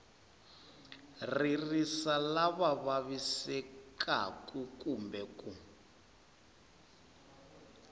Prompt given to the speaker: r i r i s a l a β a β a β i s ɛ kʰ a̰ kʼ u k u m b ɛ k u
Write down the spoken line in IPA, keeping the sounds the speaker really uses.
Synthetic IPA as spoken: r i r i s a l a β a β a β i s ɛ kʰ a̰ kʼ u k u m b ɛ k u